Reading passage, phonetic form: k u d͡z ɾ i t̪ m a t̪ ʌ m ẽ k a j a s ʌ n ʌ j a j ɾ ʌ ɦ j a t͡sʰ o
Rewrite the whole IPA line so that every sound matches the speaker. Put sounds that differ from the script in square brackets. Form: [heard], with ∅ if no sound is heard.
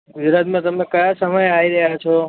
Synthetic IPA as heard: [ɡ] u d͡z ɾ [a] t̪ m a t̪ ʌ m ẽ k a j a s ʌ [m] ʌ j a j ɾ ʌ ɦ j a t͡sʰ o